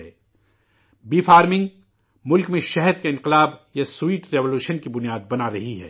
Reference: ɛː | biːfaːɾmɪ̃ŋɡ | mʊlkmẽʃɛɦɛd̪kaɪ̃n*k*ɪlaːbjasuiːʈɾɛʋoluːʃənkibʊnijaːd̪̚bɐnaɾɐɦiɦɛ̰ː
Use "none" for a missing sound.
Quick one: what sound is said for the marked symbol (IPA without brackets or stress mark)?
q